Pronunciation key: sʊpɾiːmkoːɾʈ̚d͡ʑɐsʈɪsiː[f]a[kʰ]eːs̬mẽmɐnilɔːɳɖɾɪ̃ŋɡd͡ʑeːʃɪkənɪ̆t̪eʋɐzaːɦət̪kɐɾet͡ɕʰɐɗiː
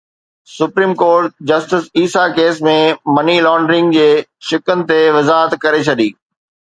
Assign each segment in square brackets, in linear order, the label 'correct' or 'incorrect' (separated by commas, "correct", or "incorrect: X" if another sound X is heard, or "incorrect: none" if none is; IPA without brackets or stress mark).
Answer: incorrect: s, incorrect: k